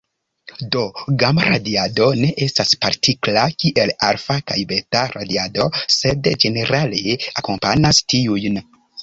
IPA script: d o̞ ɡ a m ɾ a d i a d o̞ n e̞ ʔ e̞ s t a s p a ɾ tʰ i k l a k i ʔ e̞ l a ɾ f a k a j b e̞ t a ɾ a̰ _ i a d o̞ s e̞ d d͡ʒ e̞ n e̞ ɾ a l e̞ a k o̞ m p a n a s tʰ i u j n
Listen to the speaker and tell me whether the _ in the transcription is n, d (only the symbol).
d